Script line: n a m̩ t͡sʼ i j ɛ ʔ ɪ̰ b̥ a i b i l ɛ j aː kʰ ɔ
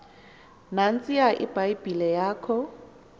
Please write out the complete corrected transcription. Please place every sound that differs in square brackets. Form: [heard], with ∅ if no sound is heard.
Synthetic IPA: n a [n̩] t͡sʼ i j [a] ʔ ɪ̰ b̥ a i b i l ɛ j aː kʰ ɔ